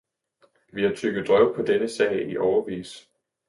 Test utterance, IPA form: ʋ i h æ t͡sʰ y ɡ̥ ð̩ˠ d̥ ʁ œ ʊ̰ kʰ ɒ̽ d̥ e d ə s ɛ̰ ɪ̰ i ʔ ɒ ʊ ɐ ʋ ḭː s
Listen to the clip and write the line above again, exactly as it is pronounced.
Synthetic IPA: ʋ i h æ t͡sʰ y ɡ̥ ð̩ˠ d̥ ʁ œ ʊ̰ pʰ ɒ̽ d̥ e n ə s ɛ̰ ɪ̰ i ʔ ɒ ʊ ɐ ʋ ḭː s